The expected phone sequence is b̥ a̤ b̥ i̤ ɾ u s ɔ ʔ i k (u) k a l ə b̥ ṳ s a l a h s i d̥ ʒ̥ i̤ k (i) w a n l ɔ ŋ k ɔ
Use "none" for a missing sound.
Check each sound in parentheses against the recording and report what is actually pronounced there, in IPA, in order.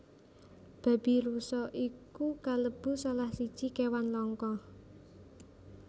u, e

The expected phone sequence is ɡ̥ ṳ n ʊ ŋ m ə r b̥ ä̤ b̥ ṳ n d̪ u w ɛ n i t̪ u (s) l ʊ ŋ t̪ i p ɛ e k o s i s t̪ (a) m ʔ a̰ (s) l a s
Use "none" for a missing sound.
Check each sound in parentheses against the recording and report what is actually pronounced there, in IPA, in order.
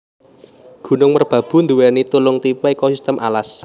none, ə, none

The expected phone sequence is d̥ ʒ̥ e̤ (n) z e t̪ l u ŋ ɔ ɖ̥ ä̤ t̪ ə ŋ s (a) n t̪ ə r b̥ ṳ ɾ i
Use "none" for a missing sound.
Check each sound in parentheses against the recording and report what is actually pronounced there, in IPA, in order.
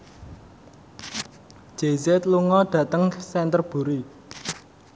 none, ɛ

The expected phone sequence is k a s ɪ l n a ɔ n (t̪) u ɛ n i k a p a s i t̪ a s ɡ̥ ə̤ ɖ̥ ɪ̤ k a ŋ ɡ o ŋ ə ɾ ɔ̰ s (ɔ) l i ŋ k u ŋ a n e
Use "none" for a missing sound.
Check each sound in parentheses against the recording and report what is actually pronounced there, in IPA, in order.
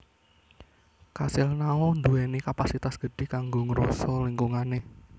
d̪, ɔ

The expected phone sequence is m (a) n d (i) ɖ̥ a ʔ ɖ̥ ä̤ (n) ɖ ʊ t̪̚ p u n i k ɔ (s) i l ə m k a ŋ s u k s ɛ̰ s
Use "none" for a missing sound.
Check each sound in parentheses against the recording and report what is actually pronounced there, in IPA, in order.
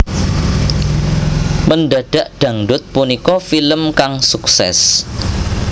ə, a, ŋ, f

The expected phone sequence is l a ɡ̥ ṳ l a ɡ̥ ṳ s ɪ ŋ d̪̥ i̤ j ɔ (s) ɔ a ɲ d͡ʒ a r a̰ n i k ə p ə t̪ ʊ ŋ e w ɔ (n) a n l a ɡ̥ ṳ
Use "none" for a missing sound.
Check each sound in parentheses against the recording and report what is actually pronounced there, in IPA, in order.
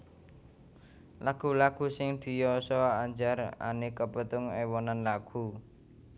s, n

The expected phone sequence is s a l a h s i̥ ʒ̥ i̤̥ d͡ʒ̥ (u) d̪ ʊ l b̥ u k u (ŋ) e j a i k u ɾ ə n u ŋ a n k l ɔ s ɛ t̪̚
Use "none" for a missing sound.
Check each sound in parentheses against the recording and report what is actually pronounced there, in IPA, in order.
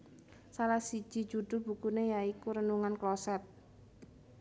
u, n

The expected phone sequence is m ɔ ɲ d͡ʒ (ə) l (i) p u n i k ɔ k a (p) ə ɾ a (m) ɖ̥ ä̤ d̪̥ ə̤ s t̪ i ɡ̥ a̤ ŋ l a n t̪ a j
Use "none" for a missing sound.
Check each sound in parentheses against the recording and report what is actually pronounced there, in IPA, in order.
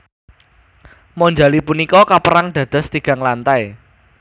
a, i, p, ŋ

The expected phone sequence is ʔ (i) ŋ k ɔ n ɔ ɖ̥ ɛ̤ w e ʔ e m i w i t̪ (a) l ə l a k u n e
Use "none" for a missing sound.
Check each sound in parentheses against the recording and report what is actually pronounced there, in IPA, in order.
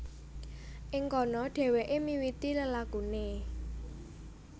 ɪ, i

